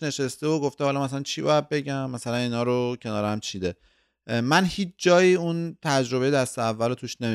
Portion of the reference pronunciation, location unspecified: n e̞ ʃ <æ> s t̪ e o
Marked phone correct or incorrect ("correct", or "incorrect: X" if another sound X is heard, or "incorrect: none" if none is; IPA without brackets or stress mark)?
incorrect: e